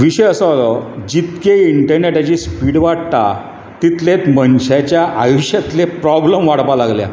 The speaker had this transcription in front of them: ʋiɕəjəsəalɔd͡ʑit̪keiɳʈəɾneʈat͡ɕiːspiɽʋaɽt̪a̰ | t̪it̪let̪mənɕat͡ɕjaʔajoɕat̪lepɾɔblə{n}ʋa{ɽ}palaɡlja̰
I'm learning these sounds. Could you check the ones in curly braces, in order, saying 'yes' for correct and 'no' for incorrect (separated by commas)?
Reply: no, yes